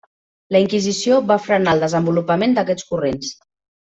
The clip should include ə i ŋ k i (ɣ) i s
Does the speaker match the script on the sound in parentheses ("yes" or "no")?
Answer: no